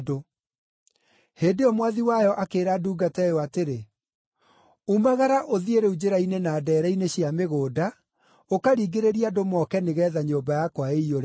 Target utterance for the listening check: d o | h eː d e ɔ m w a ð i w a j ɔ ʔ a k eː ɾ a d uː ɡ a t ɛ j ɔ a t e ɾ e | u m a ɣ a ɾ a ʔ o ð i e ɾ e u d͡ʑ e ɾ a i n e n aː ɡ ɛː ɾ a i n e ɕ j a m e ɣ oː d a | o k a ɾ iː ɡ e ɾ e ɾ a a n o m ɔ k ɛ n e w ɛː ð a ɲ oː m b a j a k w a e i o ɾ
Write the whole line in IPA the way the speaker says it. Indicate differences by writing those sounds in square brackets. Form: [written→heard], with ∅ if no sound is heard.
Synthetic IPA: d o | h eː d e ɔ m w a ð i w a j ɔ ʔ a k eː ɾ a d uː ɡ a t ɛ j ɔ a t e ɾ e | u m a ɣ a ɾ a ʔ o ð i e ɾ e u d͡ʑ e ɾ a i n e n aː [ɡ→d] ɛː ɾ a i n e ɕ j a m e ɣ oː d a | o k a ɾ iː ɡ e ɾ e ɾ [a→i] a [n→d] o m ɔ k ɛ n e [w→ɣ] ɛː ð a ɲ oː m b a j a k w a e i o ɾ